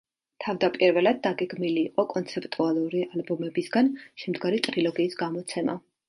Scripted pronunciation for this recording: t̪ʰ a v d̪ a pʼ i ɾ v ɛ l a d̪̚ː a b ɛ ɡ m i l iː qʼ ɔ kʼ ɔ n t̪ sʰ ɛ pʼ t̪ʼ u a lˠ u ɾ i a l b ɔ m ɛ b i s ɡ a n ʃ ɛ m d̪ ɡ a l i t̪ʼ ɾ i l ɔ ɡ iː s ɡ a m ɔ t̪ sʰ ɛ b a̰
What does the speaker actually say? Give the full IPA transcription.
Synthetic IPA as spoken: t̪ʰ a v d̪ a pʼ i ɾ v ɛ l a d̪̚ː a ɡ ɛ ɡ m i l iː qʼ ɔ kʼ ɔ n t̪ sʰ ɛ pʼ t̪ʼ u a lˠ u ɾ i a l b ɔ m ɛ b i s ɡ a n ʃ ɛ m d̪ ɡ a ɾ i t̪ʼ ɾ i l ɔ ɡ iː s ɡ a m ɔ t̪ sʰ ɛ m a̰